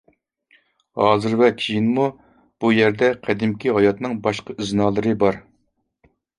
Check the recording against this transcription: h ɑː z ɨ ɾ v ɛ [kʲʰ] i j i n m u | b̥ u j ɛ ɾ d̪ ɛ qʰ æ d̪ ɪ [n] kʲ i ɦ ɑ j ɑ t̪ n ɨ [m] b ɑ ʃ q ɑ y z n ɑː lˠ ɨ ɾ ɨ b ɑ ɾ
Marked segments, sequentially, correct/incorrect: correct, incorrect: m, incorrect: ŋ

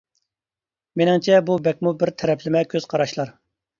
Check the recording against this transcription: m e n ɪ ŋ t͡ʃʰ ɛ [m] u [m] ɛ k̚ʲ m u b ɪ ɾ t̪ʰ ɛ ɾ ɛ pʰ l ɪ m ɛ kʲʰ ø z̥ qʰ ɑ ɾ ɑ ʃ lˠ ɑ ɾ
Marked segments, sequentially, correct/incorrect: incorrect: b, incorrect: b

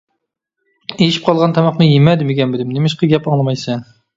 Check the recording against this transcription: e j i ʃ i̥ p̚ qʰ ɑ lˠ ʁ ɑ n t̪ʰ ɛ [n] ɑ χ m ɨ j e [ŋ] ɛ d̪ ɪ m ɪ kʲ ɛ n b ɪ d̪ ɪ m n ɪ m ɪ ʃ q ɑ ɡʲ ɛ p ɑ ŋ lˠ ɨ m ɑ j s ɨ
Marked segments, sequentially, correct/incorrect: incorrect: m, incorrect: m

